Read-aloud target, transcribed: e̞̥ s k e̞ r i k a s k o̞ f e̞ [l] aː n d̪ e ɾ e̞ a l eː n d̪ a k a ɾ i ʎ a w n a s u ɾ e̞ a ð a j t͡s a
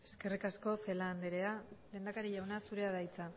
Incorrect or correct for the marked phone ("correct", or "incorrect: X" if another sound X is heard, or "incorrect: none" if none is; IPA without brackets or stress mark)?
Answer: correct